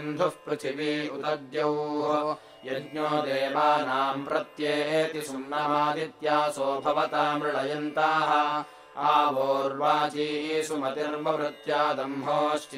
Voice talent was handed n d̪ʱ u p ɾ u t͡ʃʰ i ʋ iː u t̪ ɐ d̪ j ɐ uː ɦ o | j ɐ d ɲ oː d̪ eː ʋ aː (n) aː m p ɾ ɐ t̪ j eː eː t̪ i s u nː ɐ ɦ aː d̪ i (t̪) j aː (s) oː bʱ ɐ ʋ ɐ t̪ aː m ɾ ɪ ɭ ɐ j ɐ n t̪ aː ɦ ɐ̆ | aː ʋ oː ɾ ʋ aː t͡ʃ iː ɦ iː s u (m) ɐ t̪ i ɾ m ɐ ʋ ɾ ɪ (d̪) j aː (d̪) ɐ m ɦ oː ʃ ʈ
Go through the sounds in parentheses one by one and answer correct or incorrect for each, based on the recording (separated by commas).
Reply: correct, correct, correct, correct, incorrect, correct